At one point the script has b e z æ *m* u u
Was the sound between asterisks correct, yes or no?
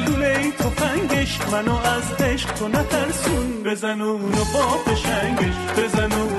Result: no